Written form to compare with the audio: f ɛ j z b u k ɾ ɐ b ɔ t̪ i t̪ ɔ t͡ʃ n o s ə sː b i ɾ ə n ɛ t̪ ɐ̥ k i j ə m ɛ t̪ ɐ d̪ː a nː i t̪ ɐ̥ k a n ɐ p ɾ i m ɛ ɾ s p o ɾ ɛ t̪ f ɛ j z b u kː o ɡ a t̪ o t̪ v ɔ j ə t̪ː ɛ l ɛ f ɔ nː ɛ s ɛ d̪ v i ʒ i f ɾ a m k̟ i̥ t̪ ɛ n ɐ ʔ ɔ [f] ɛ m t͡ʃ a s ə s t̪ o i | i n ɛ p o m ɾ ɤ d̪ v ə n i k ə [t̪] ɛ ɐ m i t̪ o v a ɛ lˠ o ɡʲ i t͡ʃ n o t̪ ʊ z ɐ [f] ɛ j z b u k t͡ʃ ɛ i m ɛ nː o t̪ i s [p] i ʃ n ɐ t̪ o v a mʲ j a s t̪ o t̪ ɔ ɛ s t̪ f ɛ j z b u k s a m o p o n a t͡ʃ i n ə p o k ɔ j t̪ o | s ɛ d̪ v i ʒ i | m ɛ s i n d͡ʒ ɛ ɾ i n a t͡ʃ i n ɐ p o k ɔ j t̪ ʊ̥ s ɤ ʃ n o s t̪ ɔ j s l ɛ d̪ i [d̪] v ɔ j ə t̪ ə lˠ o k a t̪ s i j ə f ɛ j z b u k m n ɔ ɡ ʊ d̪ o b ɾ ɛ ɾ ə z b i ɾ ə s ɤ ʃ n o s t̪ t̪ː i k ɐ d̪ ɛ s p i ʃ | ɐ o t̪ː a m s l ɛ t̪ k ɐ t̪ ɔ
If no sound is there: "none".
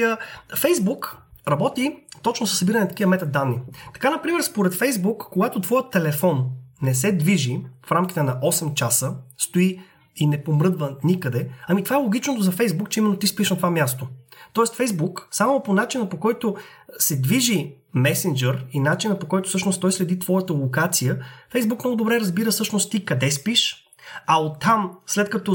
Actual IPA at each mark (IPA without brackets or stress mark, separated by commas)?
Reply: s, d̪, f, p, t̪